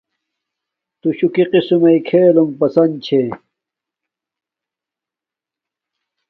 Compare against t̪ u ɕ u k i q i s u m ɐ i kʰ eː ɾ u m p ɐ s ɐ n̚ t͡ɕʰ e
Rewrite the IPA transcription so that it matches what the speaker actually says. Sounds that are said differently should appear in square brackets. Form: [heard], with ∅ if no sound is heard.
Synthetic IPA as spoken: t̪ u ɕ u k i q i s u m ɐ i kʰ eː [l] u m p ɐ s ɐ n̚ t͡ɕʰ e